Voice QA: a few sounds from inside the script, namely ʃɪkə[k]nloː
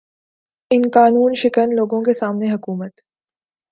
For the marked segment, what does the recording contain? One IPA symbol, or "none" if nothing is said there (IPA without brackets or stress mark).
none